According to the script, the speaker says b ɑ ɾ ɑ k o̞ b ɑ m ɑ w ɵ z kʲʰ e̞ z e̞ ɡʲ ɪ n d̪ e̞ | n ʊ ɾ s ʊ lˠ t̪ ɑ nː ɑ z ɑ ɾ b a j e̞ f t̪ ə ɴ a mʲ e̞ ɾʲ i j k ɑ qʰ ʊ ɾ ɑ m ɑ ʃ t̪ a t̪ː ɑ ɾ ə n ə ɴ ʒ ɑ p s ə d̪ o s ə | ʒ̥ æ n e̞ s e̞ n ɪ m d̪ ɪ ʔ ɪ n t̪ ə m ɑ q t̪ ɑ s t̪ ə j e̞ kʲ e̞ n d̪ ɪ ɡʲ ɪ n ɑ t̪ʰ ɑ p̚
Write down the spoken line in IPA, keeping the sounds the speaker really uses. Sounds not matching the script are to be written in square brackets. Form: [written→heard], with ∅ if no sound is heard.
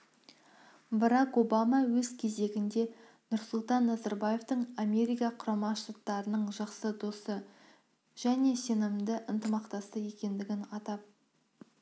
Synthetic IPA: b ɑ ɾ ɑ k o̞ b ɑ m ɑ w ɵ z kʲʰ e̞ z e̞ ɡʲ ɪ n d̪ e̞ | n ʊ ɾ s ʊ lˠ t̪ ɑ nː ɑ z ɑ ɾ b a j e̞ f t̪ ə ɴ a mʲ e̞ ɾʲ i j k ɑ qʰ ʊ ɾ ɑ m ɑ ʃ t̪ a t̪ː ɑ ɾ ə n ə ɴ ʒ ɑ [p→q] s ə d̪ o s ə | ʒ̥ æ n e̞ s e̞ n ɪ m d̪ ɪ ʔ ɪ n t̪ ə m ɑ q t̪ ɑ s t̪ ə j e̞ kʲ e̞ n d̪ ɪ ɡʲ ɪ n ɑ [t̪ʰ→t̪] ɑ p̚